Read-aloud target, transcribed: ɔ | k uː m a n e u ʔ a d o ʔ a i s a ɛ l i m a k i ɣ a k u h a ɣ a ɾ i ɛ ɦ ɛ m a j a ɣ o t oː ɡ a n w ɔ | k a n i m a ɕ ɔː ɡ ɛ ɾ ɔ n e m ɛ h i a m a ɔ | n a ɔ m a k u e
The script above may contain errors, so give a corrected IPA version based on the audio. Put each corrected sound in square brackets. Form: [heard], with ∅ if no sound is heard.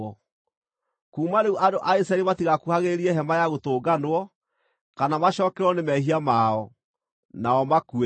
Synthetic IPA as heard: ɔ | k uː m a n e u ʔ a d o ʔ a i s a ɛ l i m a [t] i ɣ a k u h a ɣ [e] ɾ i ɛ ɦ ɛ m a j a ɣ o t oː ɡ a n w ɔ | k a n [a] m a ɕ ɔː [k] ɛ ɾ ɔ n e m ɛ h i a m a ɔ | n a ɔ m a k u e

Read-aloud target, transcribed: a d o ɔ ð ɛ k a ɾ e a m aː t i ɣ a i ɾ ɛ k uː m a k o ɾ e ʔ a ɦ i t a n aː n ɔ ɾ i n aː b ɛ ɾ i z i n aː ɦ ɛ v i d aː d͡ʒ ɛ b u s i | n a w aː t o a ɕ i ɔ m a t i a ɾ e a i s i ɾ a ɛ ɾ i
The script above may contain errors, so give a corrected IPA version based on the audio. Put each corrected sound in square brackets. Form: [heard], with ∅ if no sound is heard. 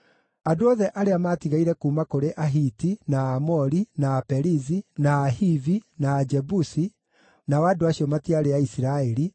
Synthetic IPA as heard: a d o ɔ ð ɛ [ʔ] a ɾ e a m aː t i ɣ a i ɾ ɛ k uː m a k o ɾ e ʔ a ɦ i t [i] n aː [m] ɔ ɾ i n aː [p] ɛ ɾ i z i n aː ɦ [i] v i [n] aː d͡ʒ ɛ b u s i | n a w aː [d] o a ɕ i ɔ m a t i a ɾ e a i s i ɾ a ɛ ɾ i

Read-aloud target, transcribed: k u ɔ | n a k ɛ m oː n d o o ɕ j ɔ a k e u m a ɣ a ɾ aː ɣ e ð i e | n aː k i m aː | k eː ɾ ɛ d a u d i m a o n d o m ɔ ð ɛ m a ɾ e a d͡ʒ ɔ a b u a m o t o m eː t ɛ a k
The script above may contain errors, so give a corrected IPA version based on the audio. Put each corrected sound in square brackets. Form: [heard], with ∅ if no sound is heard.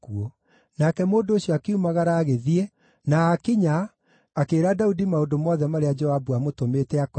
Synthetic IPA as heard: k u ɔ | n a k ɛ m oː n d o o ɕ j ɔ a k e u m a ɣ a ɾ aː ɣ e ð i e | n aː k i [ɲ] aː | k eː ɾ [a] d a u d i m a o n d o m ɔ ð ɛ m a ɾ e a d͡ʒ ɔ a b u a m o t o m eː t ɛ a k

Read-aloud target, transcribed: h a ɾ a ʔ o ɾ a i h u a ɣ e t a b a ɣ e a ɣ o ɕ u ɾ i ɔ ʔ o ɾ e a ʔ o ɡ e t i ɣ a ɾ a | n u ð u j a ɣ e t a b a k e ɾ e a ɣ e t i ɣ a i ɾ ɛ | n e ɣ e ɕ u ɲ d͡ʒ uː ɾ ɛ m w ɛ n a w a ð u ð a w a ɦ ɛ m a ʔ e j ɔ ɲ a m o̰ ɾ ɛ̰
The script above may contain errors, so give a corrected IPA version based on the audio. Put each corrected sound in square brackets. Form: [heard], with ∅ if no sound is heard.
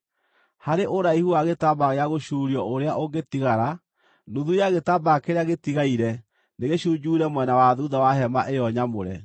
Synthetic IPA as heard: h a ɾ [e] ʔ o ɾ a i h u a ɣ e t a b a ɣ e a ɣ o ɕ u ɾ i ɔ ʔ o ɾ e a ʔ o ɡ e t i ɣ a ɾ a | n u ð u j a ɣ e t a b a k e ɾ e a ɣ e t i ɣ a i ɾ ɛ | n e ɣ e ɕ u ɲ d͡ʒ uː ɾ ɛ m w ɛ n a w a ð u ð a w a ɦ ɛ m a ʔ e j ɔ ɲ a m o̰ ɾ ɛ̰

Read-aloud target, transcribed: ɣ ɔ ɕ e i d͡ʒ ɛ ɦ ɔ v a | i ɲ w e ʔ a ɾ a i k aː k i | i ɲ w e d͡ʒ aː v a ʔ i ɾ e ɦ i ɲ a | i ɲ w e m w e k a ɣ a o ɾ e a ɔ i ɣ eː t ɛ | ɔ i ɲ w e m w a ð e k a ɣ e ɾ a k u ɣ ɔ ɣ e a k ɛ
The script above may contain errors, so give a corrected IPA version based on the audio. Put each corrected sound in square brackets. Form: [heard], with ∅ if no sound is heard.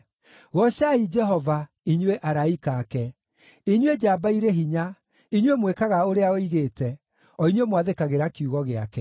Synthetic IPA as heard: ɣ ɔ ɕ [a] i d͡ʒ ɛ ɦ ɔ v a | i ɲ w e ʔ a ɾ a i k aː k [ɛ] | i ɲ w e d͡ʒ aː [b] a [∅] i ɾ e ɦ i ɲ a | i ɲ w e m w e k a ɣ a o ɾ e a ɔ i ɣ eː t ɛ | ɔ i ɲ w e m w a ð e k a ɣ e ɾ a k u ɣ ɔ ɣ e a k ɛ

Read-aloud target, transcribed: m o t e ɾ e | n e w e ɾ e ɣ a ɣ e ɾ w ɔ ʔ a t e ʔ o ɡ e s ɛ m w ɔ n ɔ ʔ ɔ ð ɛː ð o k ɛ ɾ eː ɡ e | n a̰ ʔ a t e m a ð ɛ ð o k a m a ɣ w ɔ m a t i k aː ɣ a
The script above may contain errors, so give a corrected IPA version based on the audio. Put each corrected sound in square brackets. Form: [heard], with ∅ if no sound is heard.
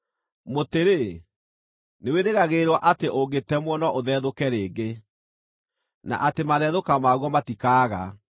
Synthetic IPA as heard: m o t e ɾ e | n e w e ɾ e ɣ a ɣ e ɾ w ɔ ʔ a t e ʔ o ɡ e [t] ɛ m w ɔ n ɔ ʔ [o] ð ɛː ð o k ɛ ɾ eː ɡ e | n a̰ ʔ a t e m a ð ɛ ð o k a m a ɣ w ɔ m a t i k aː ɣ a

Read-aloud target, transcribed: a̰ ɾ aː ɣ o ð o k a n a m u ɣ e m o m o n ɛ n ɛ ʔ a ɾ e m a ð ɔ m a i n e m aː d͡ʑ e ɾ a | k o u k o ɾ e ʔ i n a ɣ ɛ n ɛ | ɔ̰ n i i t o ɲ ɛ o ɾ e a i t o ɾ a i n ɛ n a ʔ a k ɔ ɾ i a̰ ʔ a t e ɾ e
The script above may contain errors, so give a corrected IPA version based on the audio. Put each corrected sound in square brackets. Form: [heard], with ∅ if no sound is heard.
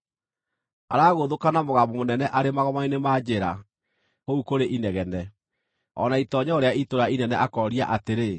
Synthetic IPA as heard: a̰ ɾ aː ɣ o ð o k a n a m [o] ɣ [a] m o m o n ɛ n ɛ ʔ a ɾ e m a [ɣ] ɔ m a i n e m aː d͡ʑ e ɾ a | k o u k o ɾ e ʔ i n [ɛ] ɣ ɛ n ɛ | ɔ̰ n [a] i t [ɔ] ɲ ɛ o ɾ e a i t o ɾ a i n ɛ n [ɛ] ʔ a k ɔ ɾ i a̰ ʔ a t e ɾ e

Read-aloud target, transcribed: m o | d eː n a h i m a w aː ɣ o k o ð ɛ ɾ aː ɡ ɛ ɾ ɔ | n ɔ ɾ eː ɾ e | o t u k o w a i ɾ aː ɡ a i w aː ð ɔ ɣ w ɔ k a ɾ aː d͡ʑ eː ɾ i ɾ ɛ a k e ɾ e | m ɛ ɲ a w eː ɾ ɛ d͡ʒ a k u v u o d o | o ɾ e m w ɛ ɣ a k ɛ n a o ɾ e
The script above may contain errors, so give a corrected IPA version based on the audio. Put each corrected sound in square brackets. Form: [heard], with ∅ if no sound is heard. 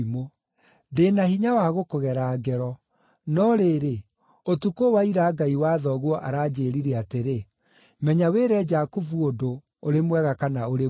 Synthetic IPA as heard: m o | d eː n a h i [ɲ] a w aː ɣ o k o [ɣ] ɛ ɾ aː ɡ ɛ ɾ ɔ | n ɔ ɾ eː ɾ e | o t u k o w a i ɾ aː ɡ a i w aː ð ɔ ɣ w ɔ [ʔ] a ɾ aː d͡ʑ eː ɾ i ɾ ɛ a [t] e ɾ e | m ɛ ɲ a w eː ɾ ɛ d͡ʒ a k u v u o d o | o ɾ e m w ɛ ɣ a k [a] n a o ɾ e

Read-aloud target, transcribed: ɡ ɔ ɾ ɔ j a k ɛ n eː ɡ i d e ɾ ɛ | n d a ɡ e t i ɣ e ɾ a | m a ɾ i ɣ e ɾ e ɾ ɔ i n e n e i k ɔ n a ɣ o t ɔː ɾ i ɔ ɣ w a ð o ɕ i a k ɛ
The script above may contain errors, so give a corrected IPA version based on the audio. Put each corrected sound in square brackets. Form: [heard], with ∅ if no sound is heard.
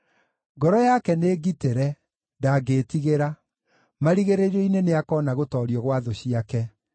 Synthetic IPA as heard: ɡ ɔ ɾ ɔ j a k ɛ n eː ɡ i [t] e ɾ ɛ | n d a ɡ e t i ɣ e ɾ a | m a ɾ i ɣ e ɾ e ɾ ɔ i n e n e [a] k ɔ n a ɣ o t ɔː ɾ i ɔ ɣ w a ð o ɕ i a k ɛ

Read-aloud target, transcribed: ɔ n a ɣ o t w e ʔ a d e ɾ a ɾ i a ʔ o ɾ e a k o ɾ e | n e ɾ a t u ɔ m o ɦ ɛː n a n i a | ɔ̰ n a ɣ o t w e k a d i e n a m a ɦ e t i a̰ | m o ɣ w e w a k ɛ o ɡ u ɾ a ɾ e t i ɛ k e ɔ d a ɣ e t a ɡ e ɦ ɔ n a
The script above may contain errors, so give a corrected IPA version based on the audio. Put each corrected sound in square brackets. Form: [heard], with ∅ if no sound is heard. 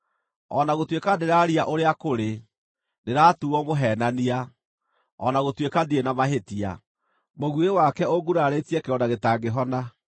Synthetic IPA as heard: ɔ n a ɣ o t w e [k] a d e ɾ a ɾ i a ʔ o ɾ e a k o ɾ e | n e ɾ a t u ɔ m o ɦ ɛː n a n i a | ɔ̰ n a ɣ o t w e k a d i e n a m a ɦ e t i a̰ | m o ɣ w e w a k ɛ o ɡ u ɾ a ɾ e t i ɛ k e ɔ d a ɣ e t a ɡ e ɦ ɔ n a

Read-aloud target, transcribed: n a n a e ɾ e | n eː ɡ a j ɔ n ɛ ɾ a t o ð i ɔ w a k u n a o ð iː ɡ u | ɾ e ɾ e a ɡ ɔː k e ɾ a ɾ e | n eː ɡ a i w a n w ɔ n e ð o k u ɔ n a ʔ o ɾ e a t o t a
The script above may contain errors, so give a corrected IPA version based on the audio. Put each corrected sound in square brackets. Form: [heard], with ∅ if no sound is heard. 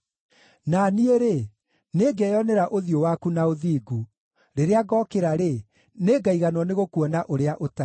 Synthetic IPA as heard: n a n [i] e ɾ e | n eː ɡ [ɛ] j ɔ n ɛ ɾ a [ʔ] o ð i [o] w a k u n a o ð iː ɡ u | ɾ e ɾ e a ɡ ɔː k e ɾ a ɾ e | n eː ɡ a i [ɣ] a n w ɔ n e [ɣ] o k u ɔ n a ʔ o ɾ e a [ʔ] o t a

